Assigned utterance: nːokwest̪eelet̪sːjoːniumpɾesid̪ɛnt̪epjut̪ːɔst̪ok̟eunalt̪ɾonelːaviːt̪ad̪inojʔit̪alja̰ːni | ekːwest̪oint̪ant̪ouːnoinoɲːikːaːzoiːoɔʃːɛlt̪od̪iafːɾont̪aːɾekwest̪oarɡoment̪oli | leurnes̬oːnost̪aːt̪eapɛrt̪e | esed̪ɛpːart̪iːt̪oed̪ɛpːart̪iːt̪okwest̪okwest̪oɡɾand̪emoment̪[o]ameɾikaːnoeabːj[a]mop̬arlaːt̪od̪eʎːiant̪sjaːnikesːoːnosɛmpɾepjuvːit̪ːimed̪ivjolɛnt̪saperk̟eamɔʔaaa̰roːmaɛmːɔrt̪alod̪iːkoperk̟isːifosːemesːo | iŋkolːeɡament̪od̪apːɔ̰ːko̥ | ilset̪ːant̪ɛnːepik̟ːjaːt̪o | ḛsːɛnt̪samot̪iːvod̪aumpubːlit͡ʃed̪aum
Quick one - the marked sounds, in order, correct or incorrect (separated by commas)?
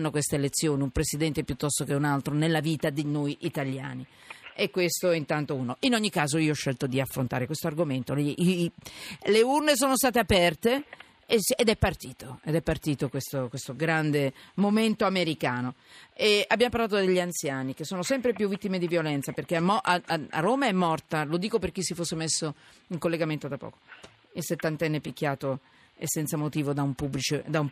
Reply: correct, correct